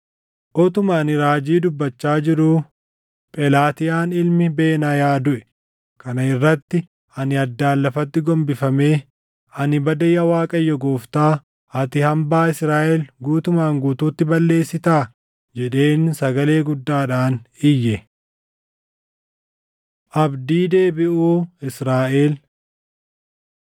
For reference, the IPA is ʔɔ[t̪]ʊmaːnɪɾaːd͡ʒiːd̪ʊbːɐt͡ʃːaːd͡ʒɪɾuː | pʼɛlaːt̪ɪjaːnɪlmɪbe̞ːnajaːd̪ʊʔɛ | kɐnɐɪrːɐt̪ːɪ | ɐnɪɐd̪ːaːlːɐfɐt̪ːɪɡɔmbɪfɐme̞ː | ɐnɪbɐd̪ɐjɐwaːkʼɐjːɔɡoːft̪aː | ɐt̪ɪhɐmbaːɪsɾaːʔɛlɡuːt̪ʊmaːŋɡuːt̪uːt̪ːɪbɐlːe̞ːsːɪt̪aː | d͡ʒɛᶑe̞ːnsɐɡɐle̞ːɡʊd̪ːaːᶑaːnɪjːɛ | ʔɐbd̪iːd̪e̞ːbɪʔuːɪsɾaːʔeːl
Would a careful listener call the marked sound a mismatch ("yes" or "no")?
no